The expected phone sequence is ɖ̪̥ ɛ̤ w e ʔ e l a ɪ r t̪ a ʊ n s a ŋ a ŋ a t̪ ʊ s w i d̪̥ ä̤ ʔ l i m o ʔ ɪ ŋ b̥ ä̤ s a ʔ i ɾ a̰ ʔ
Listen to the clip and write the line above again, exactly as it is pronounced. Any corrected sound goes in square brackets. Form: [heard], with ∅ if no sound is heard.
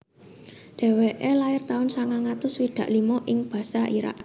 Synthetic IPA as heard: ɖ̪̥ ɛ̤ w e ʔ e l a ɪ r t̪ a ʊ n s a ŋ a ŋ a t̪ ʊ s w i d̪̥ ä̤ ʔ l i m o ʔ ɪ ŋ b̥ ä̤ s a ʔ i ɾ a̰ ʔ

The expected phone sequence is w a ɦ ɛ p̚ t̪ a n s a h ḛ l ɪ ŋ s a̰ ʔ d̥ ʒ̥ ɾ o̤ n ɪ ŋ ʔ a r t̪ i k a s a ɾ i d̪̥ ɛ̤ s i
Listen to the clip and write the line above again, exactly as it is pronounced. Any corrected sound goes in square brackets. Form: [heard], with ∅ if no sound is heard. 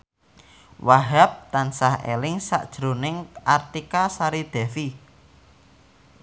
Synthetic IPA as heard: w a ɦ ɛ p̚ t̪ a n s a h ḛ l ɪ ŋ s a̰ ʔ d̥ ʒ̥ ɾ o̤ n ɪ ŋ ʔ a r t̪ i k a s a ɾ i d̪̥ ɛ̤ [f] i

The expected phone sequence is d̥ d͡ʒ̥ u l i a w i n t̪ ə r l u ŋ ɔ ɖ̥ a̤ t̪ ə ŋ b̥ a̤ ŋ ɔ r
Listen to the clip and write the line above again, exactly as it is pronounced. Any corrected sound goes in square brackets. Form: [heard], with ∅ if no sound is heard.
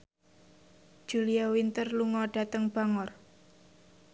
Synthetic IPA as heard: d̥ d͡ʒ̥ u l i a w i n t̪ ə r l u ŋ ɔ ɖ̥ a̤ t̪ ə ŋ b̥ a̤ ŋ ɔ r

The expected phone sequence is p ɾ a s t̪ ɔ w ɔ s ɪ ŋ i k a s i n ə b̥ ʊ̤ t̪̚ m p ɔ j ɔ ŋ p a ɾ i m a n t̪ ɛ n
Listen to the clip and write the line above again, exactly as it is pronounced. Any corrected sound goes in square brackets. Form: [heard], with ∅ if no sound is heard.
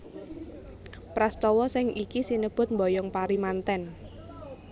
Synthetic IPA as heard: p ɾ a s t̪ ɔ w ɔ s ɪ ŋ i k [i] s i n ə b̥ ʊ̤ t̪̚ m [b] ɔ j ɔ ŋ p a ɾ i m a n t̪ ɛ n

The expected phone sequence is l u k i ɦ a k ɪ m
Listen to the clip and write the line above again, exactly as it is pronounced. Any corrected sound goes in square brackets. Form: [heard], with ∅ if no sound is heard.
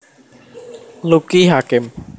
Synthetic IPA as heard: l u k i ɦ a k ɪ m

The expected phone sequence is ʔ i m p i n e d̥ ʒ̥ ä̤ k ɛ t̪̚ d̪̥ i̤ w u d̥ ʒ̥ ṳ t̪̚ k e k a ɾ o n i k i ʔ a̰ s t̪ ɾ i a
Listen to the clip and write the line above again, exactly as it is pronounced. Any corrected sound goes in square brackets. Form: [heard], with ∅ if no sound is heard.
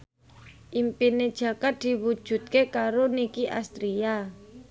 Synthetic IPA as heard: ʔ i m p i n e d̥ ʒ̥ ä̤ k [a] t̪̚ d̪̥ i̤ w u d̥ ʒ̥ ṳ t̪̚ k e k a ɾ o n i k i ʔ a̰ s t̪ ɾ i a

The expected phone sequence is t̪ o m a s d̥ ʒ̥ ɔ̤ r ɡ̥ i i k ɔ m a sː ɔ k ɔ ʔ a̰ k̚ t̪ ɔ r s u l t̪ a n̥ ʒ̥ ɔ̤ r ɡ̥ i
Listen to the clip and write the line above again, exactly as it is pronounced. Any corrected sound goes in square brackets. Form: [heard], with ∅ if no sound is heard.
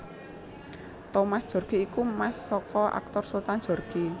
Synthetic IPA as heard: t̪ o m a s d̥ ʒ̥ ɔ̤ r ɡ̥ i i k [u] m a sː ɔ k ɔ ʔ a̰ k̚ t̪ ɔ r s u l t̪ a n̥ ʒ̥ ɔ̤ r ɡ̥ i

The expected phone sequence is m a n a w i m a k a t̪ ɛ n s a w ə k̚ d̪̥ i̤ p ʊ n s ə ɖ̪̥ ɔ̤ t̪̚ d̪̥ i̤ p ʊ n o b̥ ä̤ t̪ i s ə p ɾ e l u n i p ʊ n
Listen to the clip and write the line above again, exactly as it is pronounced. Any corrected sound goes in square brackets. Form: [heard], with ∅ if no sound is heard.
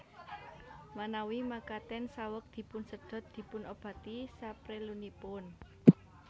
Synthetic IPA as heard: m a n a w i m a k a t̪ ɛ n s a w ə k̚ d̪̥ i̤ p ʊ n s ə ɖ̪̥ ɔ̤ t̪̚ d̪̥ i̤ p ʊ n o b̥ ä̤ t̪ i s [a] p ɾ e l u n i p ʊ n

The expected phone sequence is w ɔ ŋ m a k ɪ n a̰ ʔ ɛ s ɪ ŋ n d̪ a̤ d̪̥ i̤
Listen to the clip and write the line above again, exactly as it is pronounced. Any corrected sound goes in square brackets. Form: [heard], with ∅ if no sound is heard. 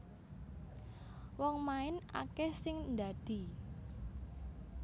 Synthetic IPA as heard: w ɔ ŋ m a [∅] ɪ n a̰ [k] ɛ s ɪ ŋ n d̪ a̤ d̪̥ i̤

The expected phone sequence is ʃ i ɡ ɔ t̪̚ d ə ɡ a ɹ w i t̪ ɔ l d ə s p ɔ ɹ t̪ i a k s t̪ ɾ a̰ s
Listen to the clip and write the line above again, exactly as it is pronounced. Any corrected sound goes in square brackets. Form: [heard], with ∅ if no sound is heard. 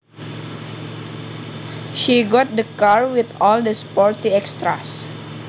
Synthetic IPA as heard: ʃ i ɡ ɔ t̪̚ d ə [k] a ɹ w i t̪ ɔ l d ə s p ɔ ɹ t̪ i [ɛ] k s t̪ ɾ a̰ s

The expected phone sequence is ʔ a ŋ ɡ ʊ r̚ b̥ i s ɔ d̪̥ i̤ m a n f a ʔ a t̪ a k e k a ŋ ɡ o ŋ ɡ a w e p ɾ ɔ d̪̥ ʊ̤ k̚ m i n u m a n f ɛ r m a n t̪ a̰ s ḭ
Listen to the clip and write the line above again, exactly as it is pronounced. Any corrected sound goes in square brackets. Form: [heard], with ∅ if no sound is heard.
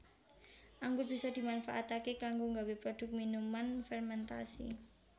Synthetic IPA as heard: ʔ a ŋ ɡ ʊ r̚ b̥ i s ɔ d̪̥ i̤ m a n f a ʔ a t̪ a k e k a ŋ ɡ o ŋ ɡ a w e p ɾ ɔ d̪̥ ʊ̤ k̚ m i n u m a n f ɛ r m [ɛ] n t̪ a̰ s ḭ

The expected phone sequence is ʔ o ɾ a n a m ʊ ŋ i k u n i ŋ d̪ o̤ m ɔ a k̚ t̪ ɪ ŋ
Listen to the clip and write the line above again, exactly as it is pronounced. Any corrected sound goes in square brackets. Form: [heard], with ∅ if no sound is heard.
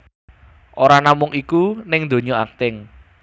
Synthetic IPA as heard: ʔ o ɾ a n a m ʊ ŋ i k u n [ɪ] ŋ d̪ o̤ [ɲ] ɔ a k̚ t̪ ɪ ŋ

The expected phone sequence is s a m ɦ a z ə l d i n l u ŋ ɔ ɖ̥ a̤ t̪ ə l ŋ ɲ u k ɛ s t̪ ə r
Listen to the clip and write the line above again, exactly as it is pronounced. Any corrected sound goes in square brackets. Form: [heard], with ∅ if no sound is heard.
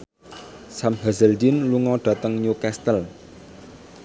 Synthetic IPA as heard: s a m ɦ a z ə l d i n l u ŋ ɔ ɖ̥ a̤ t̪ ə [∅] ŋ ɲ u k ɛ s t̪ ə [l]

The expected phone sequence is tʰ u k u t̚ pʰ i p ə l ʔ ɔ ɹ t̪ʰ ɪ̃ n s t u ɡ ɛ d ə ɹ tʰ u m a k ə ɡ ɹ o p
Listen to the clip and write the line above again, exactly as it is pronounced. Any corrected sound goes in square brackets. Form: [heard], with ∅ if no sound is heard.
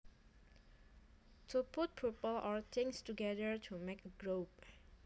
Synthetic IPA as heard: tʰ u [p] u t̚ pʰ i p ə l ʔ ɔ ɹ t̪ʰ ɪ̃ [ŋ] s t u ɡ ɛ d ə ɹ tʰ u m [e] k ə ɡ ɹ o p

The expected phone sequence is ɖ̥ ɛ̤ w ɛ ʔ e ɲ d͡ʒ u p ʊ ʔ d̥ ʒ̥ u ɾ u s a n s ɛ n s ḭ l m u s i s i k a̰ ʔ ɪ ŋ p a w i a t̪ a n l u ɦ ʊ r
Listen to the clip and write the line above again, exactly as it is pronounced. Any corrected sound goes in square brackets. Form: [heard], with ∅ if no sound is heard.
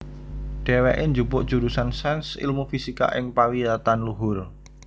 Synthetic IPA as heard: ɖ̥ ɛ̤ w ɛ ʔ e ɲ d͡ʒ u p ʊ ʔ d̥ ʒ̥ u ɾ u s a n s ɛ n s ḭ l m u [f] i s i k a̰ ʔ ɪ ŋ p a w i a t̪ a n l u ɦ ʊ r

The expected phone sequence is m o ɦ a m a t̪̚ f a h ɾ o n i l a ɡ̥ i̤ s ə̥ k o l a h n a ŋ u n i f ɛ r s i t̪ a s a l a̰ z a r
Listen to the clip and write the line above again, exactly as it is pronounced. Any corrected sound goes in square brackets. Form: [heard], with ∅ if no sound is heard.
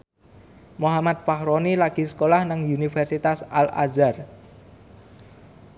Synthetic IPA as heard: m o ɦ a m a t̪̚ f a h ɾ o n i l a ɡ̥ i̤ s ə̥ k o l a h n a ŋ u n i f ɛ r s i t̪ a s a l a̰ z a r

